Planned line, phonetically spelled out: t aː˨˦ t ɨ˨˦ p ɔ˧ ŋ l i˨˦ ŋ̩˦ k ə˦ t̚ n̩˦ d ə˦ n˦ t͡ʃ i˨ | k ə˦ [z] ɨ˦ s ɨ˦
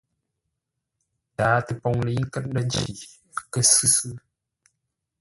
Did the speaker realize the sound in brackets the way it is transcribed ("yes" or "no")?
no